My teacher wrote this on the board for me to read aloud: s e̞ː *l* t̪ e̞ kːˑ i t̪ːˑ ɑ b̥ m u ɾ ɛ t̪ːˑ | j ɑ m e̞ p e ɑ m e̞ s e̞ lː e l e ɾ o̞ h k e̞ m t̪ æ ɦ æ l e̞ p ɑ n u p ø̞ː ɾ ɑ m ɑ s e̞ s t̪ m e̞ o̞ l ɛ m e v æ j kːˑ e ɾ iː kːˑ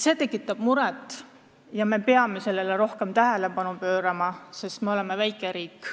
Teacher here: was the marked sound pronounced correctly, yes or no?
no